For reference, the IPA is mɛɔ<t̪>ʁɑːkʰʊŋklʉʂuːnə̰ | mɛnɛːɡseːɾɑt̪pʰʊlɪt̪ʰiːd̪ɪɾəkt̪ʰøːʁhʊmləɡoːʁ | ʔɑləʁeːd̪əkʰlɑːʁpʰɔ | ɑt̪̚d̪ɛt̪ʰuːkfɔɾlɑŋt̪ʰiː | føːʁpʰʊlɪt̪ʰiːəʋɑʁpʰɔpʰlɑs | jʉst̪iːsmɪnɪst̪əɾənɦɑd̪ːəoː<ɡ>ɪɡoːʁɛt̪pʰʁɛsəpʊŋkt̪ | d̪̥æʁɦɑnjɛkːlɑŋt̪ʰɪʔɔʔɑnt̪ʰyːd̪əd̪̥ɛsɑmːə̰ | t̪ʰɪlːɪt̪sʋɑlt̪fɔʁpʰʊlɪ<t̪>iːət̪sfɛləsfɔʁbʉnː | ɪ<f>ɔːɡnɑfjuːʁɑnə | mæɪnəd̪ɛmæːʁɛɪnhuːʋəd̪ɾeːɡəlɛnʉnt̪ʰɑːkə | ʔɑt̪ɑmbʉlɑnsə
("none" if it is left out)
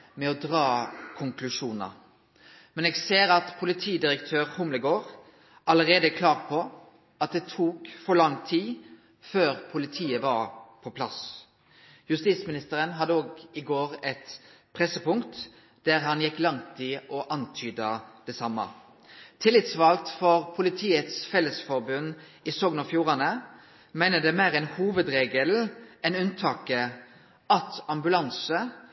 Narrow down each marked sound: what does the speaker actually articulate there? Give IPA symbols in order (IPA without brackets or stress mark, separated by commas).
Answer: d̪, ɡ, t̪ʰ, s